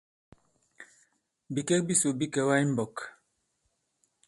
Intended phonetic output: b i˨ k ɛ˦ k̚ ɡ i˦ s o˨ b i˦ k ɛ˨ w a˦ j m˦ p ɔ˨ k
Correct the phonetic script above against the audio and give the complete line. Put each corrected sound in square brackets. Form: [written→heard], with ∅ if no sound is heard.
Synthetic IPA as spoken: b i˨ k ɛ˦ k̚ [ɡ→b] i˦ s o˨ b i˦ k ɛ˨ w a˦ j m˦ [p→b] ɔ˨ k